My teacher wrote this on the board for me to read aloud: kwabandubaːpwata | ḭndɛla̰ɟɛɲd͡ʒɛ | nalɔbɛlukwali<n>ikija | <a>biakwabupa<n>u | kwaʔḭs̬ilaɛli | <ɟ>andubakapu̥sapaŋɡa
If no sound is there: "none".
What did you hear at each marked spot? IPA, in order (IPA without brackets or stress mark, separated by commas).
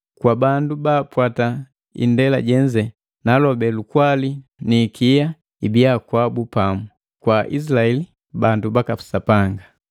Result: n, i, m, b